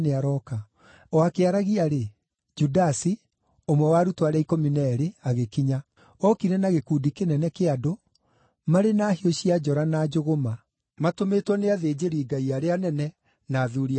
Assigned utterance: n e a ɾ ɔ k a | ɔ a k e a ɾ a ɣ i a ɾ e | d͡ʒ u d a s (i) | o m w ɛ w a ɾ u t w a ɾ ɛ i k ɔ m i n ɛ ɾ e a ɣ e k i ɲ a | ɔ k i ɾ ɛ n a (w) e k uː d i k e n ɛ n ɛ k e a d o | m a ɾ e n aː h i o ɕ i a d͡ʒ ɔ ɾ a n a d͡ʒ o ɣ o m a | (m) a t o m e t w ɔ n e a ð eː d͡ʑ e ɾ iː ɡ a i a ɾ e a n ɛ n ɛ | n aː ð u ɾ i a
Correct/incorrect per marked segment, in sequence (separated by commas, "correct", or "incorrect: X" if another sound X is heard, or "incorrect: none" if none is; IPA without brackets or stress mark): correct, incorrect: ɣ, correct